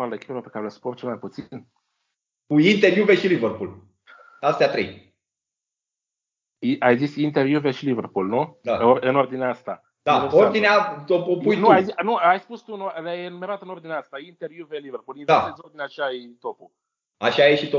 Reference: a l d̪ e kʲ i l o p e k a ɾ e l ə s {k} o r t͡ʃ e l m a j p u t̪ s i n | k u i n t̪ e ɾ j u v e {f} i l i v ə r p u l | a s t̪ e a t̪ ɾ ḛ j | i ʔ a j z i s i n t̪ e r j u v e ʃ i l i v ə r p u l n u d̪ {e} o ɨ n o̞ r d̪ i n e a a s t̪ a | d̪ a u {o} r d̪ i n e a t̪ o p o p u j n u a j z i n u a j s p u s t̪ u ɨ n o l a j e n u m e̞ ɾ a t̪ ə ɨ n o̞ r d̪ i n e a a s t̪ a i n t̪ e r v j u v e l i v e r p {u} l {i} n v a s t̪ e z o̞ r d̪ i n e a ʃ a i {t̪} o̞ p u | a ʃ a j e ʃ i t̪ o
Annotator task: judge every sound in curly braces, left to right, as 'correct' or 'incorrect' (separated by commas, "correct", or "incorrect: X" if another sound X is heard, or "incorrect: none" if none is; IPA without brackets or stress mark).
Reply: incorrect: p, incorrect: ʃ, incorrect: a, correct, correct, correct, correct